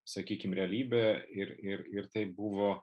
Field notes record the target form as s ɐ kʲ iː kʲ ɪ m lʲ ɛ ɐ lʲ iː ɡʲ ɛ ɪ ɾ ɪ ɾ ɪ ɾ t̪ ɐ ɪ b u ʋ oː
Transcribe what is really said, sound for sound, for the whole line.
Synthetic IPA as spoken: s ɐ kʲ iː kʲ ɪ m ɾʲ ɛ ɐ lʲ iː bʲ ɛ ɪ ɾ ɪ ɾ ɪ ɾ t̪ ɐ ɪ b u ʋ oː